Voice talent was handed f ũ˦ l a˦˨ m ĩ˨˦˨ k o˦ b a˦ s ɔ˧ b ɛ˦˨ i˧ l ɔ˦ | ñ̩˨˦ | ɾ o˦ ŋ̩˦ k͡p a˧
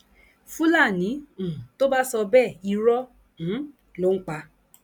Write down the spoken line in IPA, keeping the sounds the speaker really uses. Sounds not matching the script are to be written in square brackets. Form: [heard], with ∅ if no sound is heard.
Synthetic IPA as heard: f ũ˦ l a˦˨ [n] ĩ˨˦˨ [t] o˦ b a˦ s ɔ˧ b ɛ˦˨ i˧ [ɾ] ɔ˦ | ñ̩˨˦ | [l] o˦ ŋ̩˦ k͡p a˧